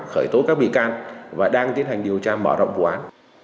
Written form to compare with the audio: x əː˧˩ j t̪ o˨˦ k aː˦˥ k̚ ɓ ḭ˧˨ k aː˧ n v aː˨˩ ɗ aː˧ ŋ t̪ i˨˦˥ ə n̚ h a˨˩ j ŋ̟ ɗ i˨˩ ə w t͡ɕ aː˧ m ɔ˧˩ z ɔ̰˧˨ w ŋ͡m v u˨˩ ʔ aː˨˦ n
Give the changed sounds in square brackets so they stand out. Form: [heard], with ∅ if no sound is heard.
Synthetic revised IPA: x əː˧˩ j t̪ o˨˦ k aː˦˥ k̚ ɓ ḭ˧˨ k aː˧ n v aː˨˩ ɗ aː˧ ŋ t̪ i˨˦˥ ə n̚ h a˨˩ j ŋ̟ ɗ i˨˩ ə w t͡ɕ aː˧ m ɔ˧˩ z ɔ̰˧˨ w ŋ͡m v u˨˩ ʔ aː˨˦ n